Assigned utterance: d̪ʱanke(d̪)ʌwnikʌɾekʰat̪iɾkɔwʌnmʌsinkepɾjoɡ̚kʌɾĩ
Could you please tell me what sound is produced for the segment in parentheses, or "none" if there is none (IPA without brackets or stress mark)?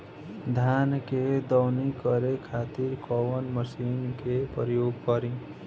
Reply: d̪